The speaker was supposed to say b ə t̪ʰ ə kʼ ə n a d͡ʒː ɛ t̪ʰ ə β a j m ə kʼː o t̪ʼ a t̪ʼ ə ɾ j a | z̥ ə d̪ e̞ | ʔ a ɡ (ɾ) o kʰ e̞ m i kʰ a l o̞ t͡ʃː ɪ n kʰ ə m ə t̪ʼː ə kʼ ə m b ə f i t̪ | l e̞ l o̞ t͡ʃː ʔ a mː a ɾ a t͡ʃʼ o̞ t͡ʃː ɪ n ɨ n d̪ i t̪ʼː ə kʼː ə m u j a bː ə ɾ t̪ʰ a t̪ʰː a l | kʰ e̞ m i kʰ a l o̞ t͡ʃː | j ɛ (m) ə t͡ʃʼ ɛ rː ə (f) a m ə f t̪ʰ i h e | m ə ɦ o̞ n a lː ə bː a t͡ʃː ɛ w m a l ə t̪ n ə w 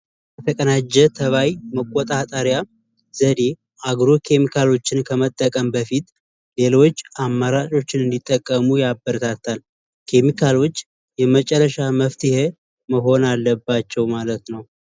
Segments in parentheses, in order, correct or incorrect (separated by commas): correct, correct, incorrect